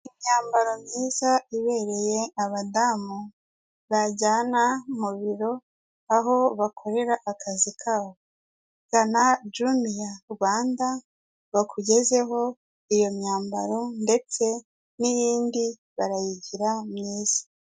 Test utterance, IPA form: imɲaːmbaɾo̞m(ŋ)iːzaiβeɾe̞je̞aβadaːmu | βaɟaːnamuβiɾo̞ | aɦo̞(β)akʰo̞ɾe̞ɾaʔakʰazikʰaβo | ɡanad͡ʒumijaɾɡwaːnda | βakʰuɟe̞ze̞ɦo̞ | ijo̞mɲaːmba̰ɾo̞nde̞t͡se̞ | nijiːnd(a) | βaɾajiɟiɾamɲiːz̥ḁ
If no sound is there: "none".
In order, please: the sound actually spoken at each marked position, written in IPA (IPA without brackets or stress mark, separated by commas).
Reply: ɲ, β, i